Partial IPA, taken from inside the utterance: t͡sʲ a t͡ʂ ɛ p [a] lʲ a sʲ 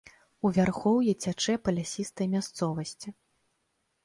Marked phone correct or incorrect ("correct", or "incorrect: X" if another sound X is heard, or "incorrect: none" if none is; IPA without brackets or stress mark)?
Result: incorrect: ɐ